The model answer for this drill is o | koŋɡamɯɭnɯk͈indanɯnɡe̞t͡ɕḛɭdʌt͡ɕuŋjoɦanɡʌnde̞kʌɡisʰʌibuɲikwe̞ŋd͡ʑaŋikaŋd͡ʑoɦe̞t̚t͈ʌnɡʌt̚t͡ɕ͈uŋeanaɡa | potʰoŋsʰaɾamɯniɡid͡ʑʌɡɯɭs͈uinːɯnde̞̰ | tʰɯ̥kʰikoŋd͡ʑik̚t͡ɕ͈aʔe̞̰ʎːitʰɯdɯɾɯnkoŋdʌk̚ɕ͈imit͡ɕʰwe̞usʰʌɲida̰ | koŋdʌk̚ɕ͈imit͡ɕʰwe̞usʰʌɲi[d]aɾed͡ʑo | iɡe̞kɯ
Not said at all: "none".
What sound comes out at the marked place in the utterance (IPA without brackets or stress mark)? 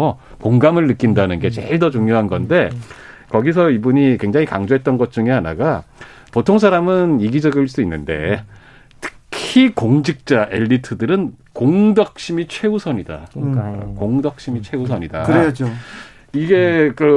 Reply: d